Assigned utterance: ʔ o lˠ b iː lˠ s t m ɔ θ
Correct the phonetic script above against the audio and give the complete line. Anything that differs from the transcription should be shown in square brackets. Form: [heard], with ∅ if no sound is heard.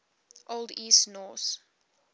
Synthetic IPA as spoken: ʔ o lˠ [d] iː [∅] s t [n] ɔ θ